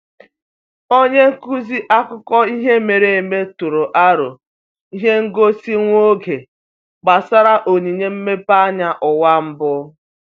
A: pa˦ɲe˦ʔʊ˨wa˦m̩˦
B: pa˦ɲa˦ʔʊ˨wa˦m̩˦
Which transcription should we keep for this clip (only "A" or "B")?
B